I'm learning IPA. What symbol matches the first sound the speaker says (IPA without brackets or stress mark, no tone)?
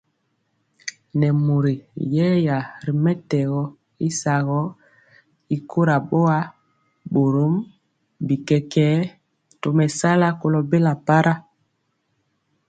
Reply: n